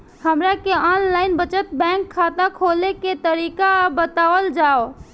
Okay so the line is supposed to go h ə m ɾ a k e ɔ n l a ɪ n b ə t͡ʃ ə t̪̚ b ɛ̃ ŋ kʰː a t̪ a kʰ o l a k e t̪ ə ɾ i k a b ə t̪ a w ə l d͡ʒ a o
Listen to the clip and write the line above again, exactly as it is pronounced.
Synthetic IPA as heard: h ə m ɾ a k e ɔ n l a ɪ n b ə t͡ʃ ə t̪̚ b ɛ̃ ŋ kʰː a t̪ a kʰ o l e k e t̪ ə ɾ i k a b ə t̪ a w ə l d͡ʒ a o